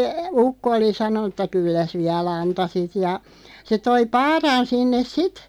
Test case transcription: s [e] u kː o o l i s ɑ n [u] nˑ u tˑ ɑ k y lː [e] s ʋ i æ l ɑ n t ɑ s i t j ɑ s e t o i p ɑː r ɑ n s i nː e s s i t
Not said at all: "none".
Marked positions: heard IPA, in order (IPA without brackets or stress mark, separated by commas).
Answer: e, o, æ